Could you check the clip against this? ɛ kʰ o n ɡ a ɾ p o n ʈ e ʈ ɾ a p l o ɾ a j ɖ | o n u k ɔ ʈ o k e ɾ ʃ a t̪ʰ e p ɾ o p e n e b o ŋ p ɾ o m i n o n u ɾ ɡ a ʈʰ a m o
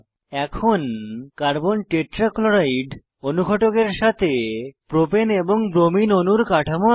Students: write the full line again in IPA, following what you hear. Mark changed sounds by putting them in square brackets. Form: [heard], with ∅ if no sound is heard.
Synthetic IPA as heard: ɛ kʰ o n [k] a ɾ [b] o n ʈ e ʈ ɾ a [k] l o ɾ a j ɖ | o n u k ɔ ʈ o k e ɾ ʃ a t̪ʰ e p ɾ o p e n e b o ŋ [b] ɾ o m i n o n u ɾ [k] a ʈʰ a m o